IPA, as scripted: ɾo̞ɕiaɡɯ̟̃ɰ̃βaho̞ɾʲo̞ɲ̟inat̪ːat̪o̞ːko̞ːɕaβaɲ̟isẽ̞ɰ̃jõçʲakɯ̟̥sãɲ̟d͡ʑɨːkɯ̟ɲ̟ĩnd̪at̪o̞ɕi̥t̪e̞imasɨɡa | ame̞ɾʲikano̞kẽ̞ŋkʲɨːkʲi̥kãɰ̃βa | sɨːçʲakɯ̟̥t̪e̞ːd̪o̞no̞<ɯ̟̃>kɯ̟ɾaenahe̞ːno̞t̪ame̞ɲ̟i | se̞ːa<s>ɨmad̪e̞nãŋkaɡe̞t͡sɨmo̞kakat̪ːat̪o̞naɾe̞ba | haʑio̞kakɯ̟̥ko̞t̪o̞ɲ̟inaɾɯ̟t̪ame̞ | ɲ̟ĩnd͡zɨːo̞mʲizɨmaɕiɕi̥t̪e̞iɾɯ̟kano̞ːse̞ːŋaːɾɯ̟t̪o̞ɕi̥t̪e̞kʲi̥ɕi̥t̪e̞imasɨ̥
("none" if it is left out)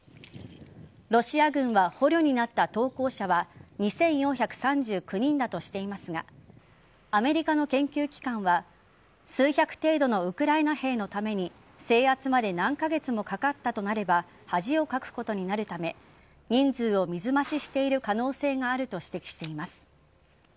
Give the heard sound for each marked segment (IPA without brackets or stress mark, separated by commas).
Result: ɯ̟, t͡s